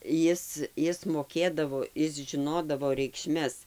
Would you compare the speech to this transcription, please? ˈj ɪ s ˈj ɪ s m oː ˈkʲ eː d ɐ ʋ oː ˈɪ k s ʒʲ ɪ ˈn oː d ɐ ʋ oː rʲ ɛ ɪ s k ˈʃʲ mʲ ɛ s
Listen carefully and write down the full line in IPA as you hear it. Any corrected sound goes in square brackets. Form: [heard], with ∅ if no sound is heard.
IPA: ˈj ɪ s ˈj ɪ s m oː ˈkʲ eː d ɐ ʋ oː ˈɪ [∅] s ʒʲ ɪ ˈn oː d ɐ ʋ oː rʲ ɛ ɪ [∅] k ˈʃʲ mʲ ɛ s

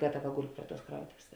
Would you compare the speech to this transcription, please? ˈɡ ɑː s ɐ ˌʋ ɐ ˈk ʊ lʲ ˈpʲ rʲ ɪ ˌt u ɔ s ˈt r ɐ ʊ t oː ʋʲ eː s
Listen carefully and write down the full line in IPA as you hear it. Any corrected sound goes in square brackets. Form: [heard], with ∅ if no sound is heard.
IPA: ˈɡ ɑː [t] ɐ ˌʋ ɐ [ˈɡ] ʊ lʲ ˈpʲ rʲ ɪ ˌt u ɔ s [ˈk] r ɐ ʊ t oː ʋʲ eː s

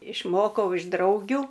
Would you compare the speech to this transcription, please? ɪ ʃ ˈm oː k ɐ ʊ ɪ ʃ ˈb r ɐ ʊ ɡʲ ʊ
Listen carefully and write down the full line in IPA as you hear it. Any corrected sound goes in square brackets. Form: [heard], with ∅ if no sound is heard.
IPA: ɪ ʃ ˈm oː k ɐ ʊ ɪ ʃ [ˈd] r ɐ ʊ ɡʲ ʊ

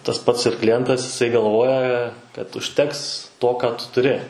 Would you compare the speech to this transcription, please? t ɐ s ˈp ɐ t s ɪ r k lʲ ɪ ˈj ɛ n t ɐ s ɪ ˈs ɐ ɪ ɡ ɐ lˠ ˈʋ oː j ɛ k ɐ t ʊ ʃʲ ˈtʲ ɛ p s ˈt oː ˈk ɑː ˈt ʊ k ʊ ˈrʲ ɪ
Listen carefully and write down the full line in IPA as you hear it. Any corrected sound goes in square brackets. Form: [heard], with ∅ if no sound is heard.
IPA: t ɐ s ˈp ɐ t s ɪ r k lʲ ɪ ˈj ɛ n t ɐ s ɪ ˈs ɐ ɪ ɡ ɐ lˠ ˈʋ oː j ɛ k ɐ t ʊ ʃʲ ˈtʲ ɛ [k] s ˈt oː ˈk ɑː ˈt ʊ [t] ʊ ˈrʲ ɪ

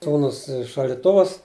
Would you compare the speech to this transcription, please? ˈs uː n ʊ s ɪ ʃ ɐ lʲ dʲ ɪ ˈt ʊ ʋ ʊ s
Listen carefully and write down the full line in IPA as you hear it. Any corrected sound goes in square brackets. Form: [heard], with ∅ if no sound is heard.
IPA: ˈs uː n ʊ s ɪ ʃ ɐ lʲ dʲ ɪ ˈt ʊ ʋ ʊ s

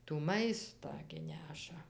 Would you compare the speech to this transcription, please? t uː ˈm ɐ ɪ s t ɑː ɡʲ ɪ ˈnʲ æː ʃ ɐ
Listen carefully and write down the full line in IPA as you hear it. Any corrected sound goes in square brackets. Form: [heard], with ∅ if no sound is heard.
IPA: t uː ˈm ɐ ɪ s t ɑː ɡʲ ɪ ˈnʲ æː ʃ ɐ

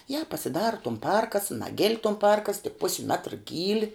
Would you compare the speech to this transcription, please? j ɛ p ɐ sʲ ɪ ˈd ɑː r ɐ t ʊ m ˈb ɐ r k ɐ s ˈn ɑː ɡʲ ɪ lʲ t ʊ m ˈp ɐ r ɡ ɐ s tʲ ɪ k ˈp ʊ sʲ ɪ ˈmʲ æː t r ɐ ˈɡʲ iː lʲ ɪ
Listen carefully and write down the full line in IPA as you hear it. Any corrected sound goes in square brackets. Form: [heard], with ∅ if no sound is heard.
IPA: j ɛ p ɐ sʲ ɪ ˈd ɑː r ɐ t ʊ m [ˈp] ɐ r k ɐ s ˈn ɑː ɡʲ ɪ lʲ t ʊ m ˈp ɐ r [k] ɐ s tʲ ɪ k ˈp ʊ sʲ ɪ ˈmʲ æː t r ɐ ˈɡʲ iː lʲ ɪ

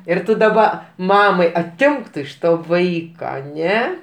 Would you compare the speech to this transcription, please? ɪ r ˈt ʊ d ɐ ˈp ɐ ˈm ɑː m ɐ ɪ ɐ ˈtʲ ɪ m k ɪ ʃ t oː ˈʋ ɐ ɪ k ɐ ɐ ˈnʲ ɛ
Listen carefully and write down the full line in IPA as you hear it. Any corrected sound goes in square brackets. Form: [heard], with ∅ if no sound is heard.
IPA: ɪ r ˈt ʊ d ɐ [ˈb] ɐ ˈm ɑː m ɐ ɪ ɐ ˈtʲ ɪ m k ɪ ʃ t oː ˈʋ ɐ ɪ k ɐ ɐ ˈnʲ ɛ

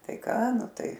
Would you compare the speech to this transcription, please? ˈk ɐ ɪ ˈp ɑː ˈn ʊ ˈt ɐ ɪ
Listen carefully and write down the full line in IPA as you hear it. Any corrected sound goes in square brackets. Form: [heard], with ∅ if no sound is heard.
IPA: [ˈt] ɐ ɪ [ˈk] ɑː ˈn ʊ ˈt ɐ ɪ

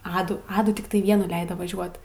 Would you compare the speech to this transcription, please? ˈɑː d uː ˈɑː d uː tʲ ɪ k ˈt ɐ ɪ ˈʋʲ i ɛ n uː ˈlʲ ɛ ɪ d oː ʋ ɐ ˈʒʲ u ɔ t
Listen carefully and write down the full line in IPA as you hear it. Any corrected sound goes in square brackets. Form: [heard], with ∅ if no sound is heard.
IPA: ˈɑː d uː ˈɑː d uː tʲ ɪ k ˈt ɐ ɪ ˈʋʲ i ɛ n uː ˈlʲ ɛ ɪ d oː ʋ ɐ ˈʒʲ u ɔ t

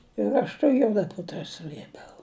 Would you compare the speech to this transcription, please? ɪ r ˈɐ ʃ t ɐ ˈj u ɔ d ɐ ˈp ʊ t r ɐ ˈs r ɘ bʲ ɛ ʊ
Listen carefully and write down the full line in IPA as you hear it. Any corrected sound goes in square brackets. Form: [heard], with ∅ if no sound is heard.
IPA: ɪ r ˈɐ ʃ t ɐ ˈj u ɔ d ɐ ˈp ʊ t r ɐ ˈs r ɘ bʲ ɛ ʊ

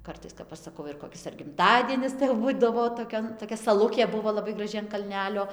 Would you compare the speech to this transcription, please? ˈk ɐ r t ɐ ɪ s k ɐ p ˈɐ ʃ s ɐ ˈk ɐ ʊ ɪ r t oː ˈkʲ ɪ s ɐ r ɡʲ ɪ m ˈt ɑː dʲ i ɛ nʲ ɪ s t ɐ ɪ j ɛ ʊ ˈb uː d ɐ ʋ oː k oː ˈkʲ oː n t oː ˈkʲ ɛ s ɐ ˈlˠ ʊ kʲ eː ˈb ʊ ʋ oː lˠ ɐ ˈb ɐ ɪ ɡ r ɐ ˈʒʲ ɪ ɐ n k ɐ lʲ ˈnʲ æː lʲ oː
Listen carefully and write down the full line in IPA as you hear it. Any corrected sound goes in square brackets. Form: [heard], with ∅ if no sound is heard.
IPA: ˈk ɐ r t ɐ ɪ s k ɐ p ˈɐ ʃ s ɐ ˈk ɐ ʊ ɪ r [k] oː ˈkʲ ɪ s ɐ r ɡʲ ɪ m ˈt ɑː dʲ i ɛ nʲ ɪ s t ɐ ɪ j ɛ ʊ ˈb uː d ɐ ʋ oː [t] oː ˈkʲ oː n t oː ˈkʲ ɛ s ɐ ˈlˠ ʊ kʲ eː ˈb ʊ ʋ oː lˠ ɐ ˈb ɐ ɪ ɡ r ɐ ˈʒʲ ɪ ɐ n k ɐ lʲ ˈnʲ æː lʲ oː

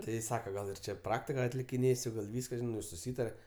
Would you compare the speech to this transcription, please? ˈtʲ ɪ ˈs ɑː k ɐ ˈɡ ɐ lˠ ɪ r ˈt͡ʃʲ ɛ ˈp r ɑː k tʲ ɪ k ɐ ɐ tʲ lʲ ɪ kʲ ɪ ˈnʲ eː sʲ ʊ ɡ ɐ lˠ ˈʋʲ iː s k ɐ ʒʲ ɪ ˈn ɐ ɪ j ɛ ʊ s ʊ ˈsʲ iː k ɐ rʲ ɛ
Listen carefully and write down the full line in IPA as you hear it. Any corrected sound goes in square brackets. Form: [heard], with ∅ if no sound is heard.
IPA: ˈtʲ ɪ ˈs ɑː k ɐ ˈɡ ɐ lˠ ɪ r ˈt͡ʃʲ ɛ ˈp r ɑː k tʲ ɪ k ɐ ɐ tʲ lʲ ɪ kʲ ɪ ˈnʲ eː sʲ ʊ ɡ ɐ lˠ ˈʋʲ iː s k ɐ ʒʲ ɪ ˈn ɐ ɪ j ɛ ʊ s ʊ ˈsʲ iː [t] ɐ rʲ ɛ

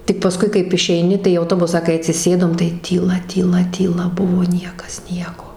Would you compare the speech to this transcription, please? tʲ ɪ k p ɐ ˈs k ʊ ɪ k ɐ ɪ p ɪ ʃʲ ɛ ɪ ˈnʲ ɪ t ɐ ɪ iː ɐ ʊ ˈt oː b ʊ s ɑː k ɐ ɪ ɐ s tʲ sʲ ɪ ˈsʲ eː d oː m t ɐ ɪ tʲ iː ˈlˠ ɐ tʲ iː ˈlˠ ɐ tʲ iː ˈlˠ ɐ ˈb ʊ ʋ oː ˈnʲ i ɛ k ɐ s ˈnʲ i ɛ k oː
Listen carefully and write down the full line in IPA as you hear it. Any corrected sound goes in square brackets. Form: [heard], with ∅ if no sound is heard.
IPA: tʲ ɪ k p ɐ ˈs k ʊ ɪ k ɐ ɪ p ɪ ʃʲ ɛ ɪ ˈnʲ ɪ t ɐ ɪ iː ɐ ʊ ˈt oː b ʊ s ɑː k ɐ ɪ ɐ [∅] tʲ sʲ ɪ ˈsʲ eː d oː m t ɐ ɪ tʲ iː ˈlˠ ɐ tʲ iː ˈlˠ ɐ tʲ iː ˈlˠ ɐ ˈb ʊ ʋ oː ˈnʲ i ɛ k ɐ s ˈnʲ i ɛ k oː

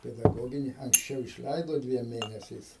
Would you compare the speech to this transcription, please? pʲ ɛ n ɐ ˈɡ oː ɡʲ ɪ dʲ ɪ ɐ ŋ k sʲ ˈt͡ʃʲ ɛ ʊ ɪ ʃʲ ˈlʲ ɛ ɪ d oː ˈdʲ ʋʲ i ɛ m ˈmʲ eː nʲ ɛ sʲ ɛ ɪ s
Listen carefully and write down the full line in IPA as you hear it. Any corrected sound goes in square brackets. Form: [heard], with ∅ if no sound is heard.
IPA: pʲ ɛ [d] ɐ ˈɡ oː ɡʲ ɪ [nʲ] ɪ ɐ ŋ k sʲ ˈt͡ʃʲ ɛ ʊ ɪ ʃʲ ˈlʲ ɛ ɪ d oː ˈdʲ ʋʲ i ɛ m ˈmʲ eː nʲ ɛ sʲ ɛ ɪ s

